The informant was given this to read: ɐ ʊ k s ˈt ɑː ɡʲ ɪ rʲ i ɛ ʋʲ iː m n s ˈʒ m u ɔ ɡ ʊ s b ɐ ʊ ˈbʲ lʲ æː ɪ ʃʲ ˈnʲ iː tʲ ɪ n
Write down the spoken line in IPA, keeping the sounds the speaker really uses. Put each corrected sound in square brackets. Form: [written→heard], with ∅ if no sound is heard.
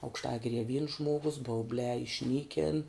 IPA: ɐ ʊ k [s→ʃ] ˈt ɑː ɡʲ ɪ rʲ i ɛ ʋʲ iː [m→∅] n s ˈʒ m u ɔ ɡ ʊ s b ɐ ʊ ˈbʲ lʲ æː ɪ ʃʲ ˈnʲ iː [tʲ→kʲ] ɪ n